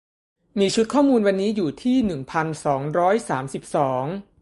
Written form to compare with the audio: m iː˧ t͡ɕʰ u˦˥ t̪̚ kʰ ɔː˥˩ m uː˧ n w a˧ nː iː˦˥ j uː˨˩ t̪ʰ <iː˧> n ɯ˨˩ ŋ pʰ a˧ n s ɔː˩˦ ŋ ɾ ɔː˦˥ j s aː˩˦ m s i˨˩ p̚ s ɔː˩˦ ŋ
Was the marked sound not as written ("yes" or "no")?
yes